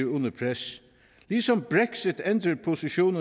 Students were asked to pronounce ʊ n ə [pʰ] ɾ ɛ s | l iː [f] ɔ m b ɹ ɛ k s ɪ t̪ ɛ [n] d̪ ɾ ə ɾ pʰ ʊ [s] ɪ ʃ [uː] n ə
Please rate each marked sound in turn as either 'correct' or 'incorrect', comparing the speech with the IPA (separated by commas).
correct, incorrect, correct, correct, correct